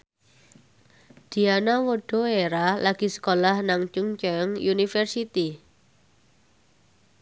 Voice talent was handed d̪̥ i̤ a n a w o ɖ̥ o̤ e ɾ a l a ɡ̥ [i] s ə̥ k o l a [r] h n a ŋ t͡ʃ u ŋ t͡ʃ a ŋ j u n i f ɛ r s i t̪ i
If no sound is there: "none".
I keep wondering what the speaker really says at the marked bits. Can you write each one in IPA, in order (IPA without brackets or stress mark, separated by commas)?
i, none